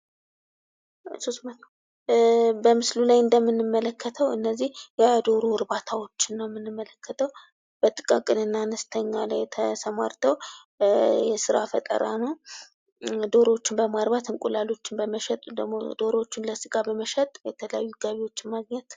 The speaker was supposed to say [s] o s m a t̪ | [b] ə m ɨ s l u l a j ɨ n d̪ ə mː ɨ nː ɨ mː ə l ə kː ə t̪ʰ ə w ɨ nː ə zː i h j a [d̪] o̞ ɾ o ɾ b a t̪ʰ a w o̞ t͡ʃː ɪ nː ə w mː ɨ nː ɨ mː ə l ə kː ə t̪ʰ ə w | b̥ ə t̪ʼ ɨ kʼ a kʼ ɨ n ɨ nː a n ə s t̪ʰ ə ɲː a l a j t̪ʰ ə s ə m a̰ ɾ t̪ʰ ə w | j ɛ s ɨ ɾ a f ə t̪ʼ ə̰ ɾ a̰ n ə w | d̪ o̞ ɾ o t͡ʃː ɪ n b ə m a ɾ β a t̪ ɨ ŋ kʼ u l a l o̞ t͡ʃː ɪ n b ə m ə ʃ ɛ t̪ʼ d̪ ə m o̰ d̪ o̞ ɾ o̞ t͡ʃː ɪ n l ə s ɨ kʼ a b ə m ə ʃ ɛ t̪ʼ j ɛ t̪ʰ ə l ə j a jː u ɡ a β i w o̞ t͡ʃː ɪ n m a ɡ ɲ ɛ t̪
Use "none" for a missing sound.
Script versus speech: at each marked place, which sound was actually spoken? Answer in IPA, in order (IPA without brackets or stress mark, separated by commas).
s, b, d̪